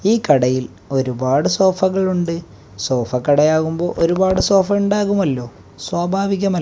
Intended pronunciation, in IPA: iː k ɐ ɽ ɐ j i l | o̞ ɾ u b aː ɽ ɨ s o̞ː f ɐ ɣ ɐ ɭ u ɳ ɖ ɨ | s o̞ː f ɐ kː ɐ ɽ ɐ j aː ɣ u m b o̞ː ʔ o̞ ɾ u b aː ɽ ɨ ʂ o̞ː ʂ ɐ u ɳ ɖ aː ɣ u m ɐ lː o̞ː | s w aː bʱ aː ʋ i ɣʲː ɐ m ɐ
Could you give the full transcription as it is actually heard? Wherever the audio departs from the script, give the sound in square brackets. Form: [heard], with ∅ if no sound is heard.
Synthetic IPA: iː k ɐ ɽ ɐ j i l | o̞ ɾ u b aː ɽ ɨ s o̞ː f ɐ ɣ ɐ ɭ u ɳ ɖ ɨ | s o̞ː f ɐ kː ɐ ɽ ɐ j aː ɣ u m b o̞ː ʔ o̞ ɾ u b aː ɽ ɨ [s] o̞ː [f] ɐ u ɳ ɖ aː ɣ u m ɐ lː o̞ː | s w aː bʱ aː ʋ i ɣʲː ɐ m ɐ